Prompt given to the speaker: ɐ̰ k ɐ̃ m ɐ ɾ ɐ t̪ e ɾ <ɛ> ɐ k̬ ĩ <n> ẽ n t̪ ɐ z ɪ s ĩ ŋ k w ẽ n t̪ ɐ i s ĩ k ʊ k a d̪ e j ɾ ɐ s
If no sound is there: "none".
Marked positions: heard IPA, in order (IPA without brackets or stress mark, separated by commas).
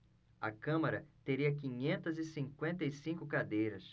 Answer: i, ɲ